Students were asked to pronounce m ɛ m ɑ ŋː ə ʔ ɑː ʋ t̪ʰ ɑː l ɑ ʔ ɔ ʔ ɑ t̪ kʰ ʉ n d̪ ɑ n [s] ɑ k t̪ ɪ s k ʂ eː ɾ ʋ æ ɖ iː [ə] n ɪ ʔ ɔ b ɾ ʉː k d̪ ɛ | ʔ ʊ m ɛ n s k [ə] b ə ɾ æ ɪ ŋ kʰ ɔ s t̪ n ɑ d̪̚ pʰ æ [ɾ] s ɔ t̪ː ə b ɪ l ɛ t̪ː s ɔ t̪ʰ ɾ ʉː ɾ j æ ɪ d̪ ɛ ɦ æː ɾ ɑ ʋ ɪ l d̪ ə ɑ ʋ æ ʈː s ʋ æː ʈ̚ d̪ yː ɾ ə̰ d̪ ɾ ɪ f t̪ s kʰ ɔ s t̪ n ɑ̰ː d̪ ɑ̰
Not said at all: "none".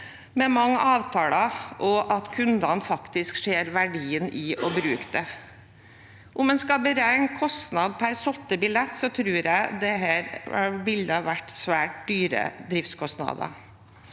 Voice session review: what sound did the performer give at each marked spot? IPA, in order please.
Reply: f, ə, ɑ, ɾ

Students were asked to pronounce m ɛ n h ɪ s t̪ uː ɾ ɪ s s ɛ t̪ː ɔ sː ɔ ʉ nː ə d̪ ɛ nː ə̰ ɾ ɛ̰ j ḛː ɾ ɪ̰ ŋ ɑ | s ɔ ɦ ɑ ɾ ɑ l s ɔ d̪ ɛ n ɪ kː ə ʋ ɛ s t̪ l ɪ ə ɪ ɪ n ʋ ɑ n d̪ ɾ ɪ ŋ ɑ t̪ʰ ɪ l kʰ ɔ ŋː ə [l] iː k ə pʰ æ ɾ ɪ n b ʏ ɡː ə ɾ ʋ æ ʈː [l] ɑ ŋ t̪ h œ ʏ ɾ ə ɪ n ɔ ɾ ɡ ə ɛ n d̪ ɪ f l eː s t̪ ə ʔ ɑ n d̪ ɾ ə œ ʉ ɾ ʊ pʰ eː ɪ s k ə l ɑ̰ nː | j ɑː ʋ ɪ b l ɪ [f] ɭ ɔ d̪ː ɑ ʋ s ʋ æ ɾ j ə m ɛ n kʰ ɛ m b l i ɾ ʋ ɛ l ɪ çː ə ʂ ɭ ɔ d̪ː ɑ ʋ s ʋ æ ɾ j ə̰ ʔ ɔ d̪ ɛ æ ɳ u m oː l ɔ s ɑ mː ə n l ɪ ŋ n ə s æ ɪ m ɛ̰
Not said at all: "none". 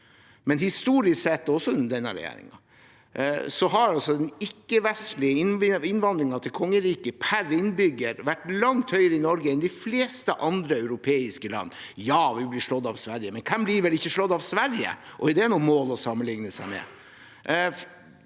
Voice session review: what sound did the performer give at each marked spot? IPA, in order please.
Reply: ɾ, l, ʂ

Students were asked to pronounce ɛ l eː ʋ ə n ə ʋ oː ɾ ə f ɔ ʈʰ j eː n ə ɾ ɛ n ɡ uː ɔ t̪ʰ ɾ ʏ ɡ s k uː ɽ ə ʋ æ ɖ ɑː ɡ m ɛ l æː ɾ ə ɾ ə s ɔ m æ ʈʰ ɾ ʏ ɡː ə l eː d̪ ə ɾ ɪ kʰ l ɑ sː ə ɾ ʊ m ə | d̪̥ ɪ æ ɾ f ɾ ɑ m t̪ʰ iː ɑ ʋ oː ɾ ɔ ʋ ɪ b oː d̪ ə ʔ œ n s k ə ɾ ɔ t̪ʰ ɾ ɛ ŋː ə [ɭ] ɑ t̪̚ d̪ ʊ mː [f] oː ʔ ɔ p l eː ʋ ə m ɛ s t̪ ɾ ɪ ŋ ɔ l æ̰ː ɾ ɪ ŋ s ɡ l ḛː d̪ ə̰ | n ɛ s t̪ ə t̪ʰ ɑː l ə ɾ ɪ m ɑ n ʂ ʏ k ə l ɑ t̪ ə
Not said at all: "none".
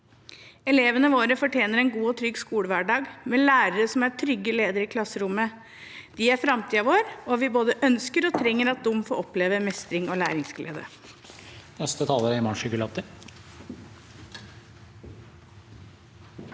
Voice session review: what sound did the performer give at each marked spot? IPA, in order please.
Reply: ɾ, f

